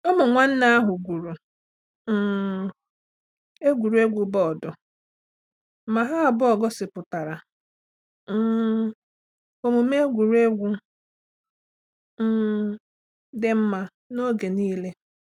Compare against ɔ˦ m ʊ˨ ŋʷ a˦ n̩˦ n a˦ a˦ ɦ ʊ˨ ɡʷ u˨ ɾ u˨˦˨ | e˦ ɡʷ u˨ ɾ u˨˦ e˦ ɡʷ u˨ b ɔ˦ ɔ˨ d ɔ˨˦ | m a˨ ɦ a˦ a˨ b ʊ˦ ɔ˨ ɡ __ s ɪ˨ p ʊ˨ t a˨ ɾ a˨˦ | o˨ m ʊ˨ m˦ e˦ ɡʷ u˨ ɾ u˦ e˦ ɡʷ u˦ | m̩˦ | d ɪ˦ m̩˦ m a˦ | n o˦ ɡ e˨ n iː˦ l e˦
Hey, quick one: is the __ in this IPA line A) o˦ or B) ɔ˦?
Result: B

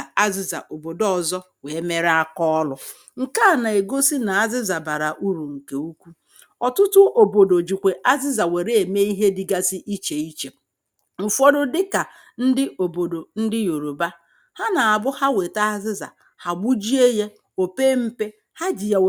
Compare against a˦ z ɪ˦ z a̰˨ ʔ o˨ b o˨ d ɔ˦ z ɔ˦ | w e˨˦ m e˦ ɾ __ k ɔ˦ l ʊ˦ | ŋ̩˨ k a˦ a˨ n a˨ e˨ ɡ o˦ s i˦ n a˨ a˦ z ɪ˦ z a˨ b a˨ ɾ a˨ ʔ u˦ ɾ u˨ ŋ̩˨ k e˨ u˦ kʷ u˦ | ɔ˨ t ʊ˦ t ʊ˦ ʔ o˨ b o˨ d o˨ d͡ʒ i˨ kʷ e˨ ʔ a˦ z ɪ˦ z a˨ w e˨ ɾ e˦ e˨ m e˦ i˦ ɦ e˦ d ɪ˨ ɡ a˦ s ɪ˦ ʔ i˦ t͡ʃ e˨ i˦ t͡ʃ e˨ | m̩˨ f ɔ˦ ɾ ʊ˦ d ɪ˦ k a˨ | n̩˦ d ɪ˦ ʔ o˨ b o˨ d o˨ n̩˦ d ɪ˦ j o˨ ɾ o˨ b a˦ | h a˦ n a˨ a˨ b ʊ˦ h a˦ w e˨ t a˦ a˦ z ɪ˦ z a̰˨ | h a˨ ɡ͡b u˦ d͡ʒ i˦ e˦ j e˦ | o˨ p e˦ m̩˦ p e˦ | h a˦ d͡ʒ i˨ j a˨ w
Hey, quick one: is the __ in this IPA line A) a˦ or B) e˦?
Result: A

